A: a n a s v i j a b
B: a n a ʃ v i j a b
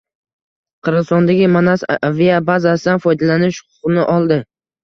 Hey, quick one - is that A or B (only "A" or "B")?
A